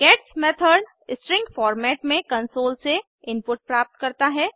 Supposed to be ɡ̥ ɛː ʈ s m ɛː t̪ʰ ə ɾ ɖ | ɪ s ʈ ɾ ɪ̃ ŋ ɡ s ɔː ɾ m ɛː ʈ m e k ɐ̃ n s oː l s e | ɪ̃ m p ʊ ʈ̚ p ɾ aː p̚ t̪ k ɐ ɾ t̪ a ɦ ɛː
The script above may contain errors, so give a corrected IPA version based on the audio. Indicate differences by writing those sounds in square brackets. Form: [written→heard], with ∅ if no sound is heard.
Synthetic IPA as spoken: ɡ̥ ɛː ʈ s m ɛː t̪ʰ ə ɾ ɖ | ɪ s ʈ ɾ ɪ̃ ŋ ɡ [s→f] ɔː ɾ m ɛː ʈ m [e→ẽ] k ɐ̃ n s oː l s e | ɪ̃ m p ʊ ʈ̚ p ɾ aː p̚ t̪ k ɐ ɾ t̪ a ɦ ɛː